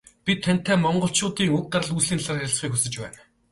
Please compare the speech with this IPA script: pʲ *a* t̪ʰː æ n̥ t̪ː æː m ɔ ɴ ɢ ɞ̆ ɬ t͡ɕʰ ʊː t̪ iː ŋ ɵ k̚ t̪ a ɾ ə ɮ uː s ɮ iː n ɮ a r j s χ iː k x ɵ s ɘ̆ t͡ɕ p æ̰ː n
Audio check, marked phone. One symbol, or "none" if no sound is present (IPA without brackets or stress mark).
i